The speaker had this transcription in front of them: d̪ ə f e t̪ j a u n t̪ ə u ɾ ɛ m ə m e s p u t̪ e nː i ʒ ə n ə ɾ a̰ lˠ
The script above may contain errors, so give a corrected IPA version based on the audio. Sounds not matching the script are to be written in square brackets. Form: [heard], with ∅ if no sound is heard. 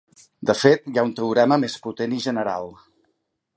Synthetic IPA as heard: d̪ ə f e t̪ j a u n t̪ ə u ɾ ɛ m ə m e s p u t̪ e [n] i ʒ ə n ə ɾ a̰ lˠ